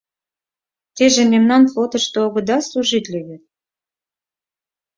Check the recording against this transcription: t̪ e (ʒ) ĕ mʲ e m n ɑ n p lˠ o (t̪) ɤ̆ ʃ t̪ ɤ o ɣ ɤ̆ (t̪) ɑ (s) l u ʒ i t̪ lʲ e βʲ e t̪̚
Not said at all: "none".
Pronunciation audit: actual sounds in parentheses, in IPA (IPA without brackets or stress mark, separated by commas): ʒ, t̪, d̪, s